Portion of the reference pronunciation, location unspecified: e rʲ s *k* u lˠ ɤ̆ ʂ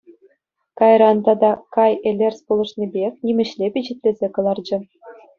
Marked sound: incorrect: p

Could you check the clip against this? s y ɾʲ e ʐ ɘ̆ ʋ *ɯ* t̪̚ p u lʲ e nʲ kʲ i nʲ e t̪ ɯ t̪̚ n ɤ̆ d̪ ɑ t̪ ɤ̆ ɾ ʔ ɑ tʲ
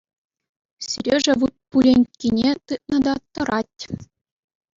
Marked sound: incorrect: u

